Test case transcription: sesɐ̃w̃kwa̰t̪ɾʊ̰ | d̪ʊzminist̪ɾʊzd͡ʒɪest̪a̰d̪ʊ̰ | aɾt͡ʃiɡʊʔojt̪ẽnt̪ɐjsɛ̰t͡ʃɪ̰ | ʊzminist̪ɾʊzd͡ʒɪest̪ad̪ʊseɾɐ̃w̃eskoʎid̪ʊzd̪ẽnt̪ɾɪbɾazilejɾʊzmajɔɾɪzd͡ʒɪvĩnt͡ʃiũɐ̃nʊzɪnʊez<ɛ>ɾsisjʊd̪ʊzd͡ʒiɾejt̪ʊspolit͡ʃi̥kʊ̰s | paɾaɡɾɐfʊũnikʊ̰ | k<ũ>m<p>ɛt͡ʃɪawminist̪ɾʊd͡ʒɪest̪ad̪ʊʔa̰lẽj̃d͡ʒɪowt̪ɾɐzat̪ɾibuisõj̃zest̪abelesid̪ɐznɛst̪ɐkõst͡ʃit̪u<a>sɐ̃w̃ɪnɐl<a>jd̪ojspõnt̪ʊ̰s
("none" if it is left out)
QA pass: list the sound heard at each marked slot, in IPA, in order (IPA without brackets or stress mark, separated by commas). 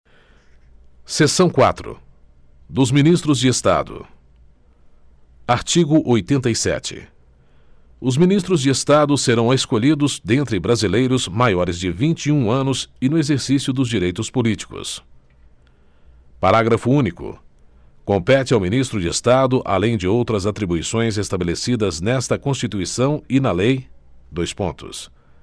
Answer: e, õ, p, i, e